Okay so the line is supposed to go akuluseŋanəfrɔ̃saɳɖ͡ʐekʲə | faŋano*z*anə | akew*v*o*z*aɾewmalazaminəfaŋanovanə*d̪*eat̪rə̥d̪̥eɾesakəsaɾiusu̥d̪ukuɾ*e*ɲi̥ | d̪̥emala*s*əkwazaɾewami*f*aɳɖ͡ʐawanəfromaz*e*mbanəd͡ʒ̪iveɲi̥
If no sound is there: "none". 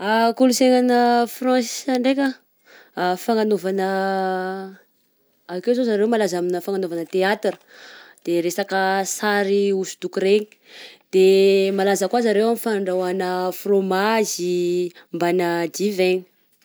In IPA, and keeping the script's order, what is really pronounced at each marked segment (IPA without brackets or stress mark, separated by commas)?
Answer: v, z, z, t̪, e, z, f, i